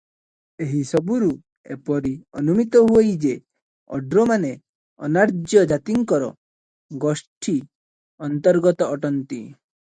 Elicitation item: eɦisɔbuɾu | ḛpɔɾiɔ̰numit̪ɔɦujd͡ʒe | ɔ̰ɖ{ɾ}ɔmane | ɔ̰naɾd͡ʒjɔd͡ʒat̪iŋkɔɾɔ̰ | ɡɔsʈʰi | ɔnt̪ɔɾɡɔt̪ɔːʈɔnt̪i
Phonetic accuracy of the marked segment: correct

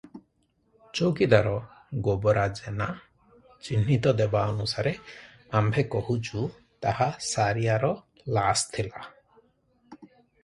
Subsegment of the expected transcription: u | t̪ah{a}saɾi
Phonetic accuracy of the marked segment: correct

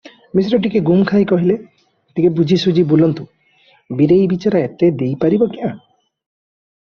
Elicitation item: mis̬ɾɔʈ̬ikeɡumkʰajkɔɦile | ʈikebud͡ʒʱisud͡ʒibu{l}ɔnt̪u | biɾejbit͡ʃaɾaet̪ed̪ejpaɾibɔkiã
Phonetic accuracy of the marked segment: correct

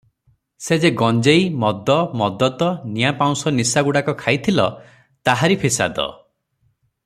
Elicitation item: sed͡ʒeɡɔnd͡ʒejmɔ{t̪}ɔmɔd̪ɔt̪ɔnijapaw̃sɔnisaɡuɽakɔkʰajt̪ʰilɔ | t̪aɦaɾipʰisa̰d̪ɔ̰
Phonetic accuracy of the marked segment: incorrect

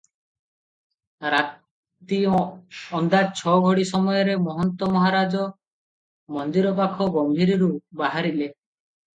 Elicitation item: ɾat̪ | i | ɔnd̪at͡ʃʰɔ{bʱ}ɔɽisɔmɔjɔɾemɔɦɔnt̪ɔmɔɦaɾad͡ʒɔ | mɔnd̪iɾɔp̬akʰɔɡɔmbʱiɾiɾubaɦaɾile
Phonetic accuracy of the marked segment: incorrect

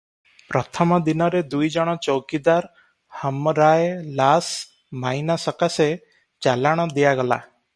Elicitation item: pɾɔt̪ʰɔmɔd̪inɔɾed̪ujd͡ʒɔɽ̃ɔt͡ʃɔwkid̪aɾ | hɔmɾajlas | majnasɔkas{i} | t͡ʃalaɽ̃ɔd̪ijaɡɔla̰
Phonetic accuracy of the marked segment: incorrect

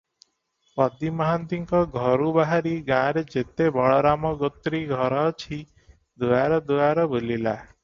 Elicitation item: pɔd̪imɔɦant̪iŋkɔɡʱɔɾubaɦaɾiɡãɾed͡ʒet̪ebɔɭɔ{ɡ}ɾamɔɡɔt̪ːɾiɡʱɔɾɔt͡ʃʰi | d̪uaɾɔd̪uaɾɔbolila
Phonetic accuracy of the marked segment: incorrect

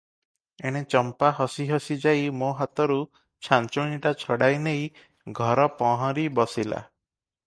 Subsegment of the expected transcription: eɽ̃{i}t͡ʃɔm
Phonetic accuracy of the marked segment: incorrect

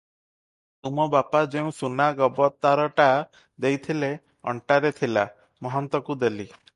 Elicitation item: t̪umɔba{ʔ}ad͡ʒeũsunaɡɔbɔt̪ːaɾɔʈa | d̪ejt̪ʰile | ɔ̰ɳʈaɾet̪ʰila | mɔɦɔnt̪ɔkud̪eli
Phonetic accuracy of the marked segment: incorrect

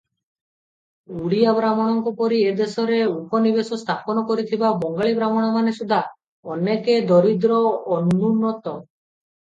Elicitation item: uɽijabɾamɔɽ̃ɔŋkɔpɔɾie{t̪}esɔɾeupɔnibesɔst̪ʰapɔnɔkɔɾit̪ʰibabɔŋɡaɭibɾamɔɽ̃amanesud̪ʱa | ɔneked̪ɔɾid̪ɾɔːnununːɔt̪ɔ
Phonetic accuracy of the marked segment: incorrect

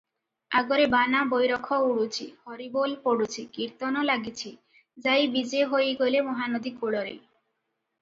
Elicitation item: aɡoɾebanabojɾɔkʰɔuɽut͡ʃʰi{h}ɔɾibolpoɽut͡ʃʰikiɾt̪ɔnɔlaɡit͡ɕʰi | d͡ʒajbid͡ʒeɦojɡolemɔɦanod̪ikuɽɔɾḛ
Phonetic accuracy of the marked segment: correct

